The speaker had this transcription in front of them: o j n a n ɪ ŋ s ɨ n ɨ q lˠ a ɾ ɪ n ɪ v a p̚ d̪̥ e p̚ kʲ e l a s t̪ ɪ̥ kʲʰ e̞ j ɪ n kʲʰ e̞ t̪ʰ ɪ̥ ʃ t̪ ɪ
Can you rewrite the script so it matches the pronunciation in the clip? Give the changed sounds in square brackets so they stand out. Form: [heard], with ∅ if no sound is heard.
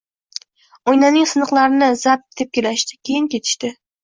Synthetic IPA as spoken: o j n a n ɪ ŋ s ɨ n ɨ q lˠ a ɾ ɪ n ɪ [z] a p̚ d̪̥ e p̚ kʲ e l a [ʃ] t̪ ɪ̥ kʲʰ e̞ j ɪ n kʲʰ e̞ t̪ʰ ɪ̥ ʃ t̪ ɪ